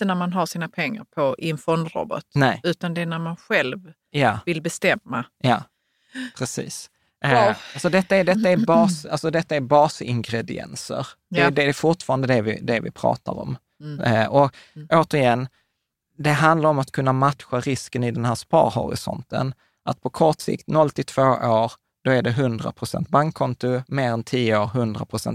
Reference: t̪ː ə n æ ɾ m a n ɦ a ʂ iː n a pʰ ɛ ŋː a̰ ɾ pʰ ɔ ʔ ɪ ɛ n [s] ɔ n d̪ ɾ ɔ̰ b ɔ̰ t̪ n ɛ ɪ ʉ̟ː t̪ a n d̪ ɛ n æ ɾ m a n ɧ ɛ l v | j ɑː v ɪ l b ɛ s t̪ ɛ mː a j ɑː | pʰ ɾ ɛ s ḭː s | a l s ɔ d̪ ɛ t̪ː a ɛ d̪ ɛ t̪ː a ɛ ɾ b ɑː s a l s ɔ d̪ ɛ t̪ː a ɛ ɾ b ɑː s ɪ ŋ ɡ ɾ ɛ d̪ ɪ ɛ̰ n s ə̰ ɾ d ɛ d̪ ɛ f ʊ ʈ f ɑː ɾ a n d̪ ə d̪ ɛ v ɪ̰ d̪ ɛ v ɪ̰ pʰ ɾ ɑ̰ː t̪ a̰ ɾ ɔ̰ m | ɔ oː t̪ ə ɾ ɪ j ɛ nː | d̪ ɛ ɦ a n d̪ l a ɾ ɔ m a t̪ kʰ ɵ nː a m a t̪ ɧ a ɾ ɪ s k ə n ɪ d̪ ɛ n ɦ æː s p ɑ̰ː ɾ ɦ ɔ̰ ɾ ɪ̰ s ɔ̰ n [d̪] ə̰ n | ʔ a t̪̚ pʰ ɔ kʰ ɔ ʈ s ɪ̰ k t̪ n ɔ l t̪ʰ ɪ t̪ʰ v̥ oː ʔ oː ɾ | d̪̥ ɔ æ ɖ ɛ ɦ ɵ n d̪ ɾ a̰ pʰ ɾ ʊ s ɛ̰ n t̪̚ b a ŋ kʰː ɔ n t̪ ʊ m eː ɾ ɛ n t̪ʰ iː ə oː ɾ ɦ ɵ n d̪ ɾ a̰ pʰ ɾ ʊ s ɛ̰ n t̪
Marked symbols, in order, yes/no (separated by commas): no, no